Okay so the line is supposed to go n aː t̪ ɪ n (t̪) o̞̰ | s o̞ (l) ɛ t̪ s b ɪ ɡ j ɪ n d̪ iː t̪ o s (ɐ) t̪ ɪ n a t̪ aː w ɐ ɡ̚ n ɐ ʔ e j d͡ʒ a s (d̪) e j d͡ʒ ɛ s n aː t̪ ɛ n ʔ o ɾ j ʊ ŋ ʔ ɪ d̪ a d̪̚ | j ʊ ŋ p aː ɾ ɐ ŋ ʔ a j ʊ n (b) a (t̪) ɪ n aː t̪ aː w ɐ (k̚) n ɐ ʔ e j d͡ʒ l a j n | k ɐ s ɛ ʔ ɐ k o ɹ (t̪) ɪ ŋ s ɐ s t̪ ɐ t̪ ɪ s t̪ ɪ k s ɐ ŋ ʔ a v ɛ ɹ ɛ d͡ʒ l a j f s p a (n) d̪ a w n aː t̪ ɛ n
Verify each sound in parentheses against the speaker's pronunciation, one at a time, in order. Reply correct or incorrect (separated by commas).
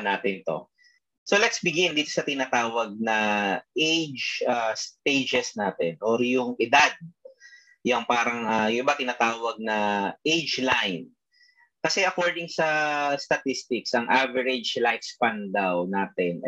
correct, correct, correct, incorrect, correct, correct, incorrect, incorrect, correct